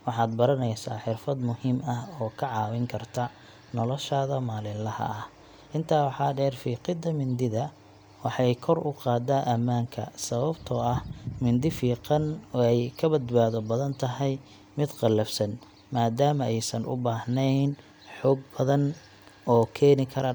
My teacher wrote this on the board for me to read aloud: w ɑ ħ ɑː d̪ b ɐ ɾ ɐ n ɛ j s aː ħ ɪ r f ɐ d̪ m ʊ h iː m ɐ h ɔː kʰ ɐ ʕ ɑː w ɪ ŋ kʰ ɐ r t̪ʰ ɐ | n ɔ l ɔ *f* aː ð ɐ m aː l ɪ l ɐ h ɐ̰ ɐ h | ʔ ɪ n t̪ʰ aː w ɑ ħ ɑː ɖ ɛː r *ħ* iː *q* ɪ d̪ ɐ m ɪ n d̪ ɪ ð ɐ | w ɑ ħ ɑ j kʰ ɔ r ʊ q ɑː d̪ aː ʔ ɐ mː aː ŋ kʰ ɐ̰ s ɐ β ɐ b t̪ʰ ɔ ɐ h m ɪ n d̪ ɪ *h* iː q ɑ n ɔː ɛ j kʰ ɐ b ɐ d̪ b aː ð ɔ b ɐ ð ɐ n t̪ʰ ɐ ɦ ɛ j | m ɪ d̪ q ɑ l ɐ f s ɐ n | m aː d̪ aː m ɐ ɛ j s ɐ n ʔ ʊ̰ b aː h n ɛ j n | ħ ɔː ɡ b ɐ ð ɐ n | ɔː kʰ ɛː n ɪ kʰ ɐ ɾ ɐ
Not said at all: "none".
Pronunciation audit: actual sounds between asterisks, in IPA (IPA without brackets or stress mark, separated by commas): ʃ, f, q, f